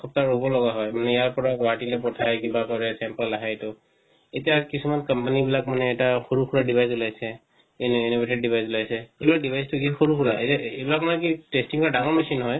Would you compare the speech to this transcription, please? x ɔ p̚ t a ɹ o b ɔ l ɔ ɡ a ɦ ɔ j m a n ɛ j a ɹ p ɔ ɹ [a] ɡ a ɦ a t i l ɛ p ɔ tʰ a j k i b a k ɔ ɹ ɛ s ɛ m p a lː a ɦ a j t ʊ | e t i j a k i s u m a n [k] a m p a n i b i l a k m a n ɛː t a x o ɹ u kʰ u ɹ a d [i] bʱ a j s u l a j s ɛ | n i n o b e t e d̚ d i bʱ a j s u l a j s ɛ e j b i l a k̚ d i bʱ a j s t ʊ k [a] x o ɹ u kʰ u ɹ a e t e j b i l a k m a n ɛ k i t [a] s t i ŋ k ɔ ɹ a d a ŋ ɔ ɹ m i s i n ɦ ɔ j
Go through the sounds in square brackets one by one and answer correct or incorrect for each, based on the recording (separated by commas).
correct, correct, correct, incorrect, incorrect